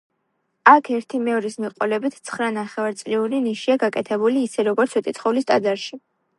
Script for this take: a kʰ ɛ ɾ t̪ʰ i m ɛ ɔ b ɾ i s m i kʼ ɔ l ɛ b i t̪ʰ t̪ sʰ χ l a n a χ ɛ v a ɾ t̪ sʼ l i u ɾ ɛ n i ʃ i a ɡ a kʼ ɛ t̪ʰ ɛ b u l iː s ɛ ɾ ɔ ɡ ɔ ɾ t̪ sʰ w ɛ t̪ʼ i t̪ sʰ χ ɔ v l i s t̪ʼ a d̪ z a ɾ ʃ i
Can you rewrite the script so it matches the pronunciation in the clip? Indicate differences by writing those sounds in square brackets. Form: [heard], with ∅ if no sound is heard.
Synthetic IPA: a kʰ ɛ ɾ t̪ʰ i m ɛ ɔ [∅] ɾ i s m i [qʼ] ɔ l ɛ b i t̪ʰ t̪ sʰ χ [ɾ] a n a χ ɛ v a ɾ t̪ sʼ l i u ɾ [i] n i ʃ i a ɡ a kʼ ɛ t̪ʰ ɛ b u l iː s ɛ ɾ ɔ ɡ ɔ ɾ t̪ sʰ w ɛ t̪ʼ i t̪ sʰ χ ɔ v l i s t̪ʼ a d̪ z a ɾ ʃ i